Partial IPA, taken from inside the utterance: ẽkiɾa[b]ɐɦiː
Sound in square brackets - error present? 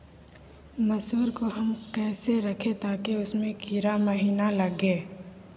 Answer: yes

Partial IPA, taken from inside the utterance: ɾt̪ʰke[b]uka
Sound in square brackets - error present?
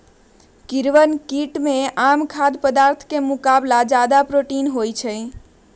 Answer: yes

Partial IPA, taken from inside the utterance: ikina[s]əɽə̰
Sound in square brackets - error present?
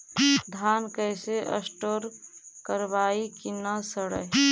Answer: no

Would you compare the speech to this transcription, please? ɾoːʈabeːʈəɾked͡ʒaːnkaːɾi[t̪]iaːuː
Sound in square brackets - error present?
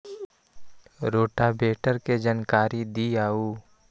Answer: yes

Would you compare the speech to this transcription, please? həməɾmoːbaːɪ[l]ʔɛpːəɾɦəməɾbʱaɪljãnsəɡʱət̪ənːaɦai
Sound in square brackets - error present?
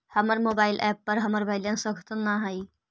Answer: no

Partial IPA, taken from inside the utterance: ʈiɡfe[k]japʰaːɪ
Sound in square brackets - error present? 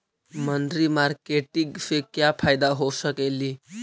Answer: no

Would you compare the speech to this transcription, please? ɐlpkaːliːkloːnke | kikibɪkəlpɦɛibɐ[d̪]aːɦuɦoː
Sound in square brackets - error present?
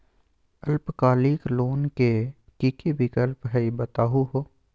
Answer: yes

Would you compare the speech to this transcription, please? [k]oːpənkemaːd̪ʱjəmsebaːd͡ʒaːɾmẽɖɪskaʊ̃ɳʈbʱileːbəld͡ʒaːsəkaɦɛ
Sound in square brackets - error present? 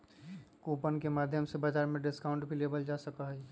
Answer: no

